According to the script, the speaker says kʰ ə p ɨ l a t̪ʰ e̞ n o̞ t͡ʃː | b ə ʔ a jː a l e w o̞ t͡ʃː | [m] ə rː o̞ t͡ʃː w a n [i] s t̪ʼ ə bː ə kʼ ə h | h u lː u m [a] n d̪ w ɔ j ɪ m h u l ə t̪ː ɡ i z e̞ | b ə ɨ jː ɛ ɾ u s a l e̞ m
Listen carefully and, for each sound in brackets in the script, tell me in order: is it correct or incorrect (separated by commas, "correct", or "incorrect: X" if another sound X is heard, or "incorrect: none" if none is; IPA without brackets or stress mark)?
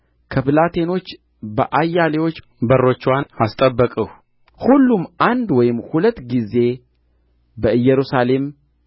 incorrect: b, incorrect: a, correct